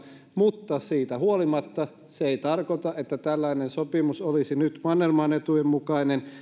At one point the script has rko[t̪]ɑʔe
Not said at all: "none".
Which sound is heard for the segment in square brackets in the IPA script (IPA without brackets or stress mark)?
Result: t̪